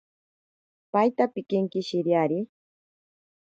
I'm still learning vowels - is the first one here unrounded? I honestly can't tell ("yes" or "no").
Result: yes